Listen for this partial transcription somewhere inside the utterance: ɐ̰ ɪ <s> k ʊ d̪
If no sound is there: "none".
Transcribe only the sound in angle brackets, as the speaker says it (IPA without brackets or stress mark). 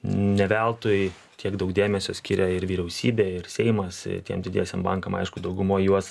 ʃ